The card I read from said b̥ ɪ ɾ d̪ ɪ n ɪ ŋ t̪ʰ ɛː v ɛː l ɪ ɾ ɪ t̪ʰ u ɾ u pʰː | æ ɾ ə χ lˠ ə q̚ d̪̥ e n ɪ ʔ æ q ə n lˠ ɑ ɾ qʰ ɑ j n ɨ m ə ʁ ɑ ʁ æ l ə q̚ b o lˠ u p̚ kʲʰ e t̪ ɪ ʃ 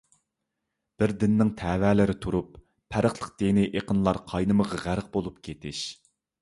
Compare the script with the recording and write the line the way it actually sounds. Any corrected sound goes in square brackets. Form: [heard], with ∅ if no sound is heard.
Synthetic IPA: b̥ ɪ ɾ d̪ ɪ [nː] ɪ ŋ t̪ʰ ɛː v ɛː l ɪ ɾ ɪ t̪ʰ u ɾ u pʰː | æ ɾ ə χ lˠ ə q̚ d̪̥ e n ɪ ʔ [e] q ə n lˠ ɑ ɾ qʰ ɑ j n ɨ m ə ʁ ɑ ʁ æ [ɾ] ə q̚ b o lˠ u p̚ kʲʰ e t̪ ɪ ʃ